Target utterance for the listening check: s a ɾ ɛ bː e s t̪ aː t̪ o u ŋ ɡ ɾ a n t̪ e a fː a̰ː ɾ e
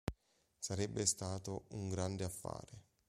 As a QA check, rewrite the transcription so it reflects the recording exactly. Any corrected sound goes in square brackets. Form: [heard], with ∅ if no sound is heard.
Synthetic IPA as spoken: s a ɾ ɛ bː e s t̪ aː t̪ o u ŋ ɡ ɾ a n [d̪] e a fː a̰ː ɾ e